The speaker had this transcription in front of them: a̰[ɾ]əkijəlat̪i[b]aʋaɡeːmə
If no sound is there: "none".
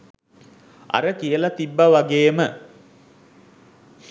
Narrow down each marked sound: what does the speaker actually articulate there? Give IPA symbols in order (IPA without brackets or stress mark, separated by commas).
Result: ɾ, bː